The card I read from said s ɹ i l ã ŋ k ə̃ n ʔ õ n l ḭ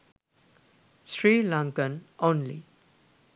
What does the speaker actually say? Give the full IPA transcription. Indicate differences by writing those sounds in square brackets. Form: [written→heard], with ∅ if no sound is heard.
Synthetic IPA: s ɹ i l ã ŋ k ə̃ n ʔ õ n l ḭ